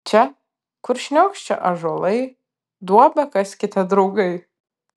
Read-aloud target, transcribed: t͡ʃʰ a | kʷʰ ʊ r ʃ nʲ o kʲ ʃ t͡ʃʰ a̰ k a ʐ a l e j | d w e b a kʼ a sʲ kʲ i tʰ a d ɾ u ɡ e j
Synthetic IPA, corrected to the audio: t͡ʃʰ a | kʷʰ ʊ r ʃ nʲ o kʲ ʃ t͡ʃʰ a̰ ʔ a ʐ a l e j | d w a b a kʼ a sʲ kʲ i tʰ a d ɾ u ɡ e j